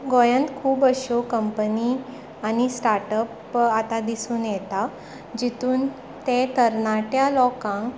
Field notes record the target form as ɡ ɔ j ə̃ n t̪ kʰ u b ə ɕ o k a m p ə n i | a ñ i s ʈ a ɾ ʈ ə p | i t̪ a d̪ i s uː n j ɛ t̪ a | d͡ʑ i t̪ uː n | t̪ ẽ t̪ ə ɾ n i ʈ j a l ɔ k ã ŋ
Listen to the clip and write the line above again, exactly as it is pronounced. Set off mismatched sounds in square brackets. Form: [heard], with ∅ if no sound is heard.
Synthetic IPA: ɡ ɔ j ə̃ n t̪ kʰ [uː] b ə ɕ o k [ə] m p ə n i | a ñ i s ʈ a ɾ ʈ ə p | [a] t̪ a d̪ i s uː n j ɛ t̪ a | d͡ʑ i t̪ uː n | t̪ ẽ t̪ ə ɾ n [a] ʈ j a l ɔ k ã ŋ